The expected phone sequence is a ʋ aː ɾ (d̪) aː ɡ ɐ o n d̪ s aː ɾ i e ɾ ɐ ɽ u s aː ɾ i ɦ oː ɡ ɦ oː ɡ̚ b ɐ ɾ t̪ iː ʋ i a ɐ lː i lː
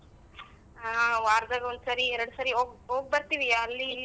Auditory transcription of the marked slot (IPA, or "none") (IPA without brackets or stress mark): d̪